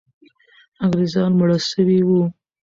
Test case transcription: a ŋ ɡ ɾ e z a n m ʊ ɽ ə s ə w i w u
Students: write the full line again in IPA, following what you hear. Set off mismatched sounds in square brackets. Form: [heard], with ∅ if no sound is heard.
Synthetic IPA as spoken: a ŋ ɡ ɾ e z [ɑ] n m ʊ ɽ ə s ə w i w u

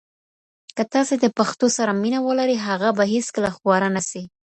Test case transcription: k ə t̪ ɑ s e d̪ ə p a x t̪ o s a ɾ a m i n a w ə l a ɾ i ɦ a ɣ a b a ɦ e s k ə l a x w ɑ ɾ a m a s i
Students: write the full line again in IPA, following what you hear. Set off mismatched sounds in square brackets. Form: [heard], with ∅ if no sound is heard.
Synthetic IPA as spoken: k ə t̪ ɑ s e d̪ ə p a x t̪ o s a ɾ a m i n a w ə l a ɾ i ɦ a ɣ a b a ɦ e s k ə l a x w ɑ ɾ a [n] a s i

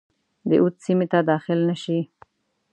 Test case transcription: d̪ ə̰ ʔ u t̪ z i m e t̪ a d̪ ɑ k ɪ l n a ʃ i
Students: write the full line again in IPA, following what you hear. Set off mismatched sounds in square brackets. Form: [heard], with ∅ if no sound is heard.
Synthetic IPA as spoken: d̪ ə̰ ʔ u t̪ [s] i m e t̪ a d̪ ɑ [x] ɪ l n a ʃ i

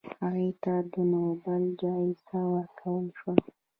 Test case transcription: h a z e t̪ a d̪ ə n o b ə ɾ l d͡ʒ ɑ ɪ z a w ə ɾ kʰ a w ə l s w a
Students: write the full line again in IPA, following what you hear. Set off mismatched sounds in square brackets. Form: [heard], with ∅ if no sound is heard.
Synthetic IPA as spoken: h a [ɣ] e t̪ a d̪ ə n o b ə [∅] l d͡ʒ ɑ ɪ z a w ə ɾ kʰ a w ə l [ʃ] w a

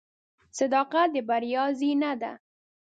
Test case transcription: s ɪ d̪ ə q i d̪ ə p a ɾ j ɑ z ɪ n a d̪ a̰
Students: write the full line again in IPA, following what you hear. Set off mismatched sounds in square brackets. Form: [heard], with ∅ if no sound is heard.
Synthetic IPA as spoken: s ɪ d̪ [ɑ] q [a] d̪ ə [b] a ɾ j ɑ z [i] n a d̪ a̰

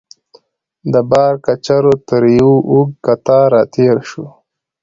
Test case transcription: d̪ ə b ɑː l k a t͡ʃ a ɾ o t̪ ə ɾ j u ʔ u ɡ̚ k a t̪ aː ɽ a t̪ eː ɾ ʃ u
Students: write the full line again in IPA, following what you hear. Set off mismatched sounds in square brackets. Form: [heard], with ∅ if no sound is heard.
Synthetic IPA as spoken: d̪ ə b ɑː [ɾ] k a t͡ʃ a ɾ o t̪ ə ɾ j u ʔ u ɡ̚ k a t̪ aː [ɾ] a t̪ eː ɾ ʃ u

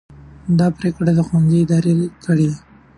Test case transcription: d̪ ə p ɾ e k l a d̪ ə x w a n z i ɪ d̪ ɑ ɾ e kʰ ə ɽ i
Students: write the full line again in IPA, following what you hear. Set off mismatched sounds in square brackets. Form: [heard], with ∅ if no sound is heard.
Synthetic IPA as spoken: d̪ [ɑ] p ɾ e k [ɽ] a d̪ ə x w a n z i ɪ d̪ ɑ ɾ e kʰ ə ɽ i

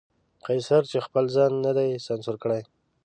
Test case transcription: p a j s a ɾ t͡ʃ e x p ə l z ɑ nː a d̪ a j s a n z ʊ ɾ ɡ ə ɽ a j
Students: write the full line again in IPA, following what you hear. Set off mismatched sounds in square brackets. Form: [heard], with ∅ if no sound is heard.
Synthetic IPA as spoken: [q] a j s a ɾ t͡ʃ e x p ə l z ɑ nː a d̪ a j s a n [s] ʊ ɾ [k] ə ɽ a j

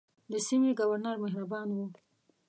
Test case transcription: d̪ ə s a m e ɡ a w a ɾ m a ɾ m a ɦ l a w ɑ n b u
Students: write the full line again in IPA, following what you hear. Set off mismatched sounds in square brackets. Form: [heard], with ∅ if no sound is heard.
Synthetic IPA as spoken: d̪ ə s [i] m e ɡ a w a ɾ [n] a ɾ m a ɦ [ɾ] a [b] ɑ n [w] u

